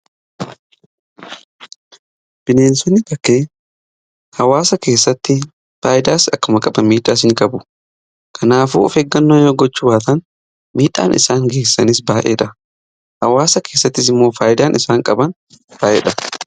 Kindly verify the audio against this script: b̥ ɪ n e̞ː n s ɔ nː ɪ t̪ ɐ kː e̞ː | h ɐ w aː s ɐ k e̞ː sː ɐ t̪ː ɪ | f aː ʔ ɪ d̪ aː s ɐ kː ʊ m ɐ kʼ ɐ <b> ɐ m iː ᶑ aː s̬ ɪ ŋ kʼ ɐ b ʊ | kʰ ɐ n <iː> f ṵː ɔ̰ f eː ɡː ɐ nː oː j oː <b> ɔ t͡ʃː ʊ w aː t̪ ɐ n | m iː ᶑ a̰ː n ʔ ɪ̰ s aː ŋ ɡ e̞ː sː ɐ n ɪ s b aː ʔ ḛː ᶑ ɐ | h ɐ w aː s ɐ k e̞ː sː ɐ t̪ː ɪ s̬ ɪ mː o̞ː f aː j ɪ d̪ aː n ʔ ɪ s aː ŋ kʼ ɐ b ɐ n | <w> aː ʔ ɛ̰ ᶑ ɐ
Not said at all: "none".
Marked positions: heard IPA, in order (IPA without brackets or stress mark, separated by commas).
b, aː, ɡ, b